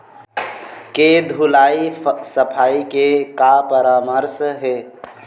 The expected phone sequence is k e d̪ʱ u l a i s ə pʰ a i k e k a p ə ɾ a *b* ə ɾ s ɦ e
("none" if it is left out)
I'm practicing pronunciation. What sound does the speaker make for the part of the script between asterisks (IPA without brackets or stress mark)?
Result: m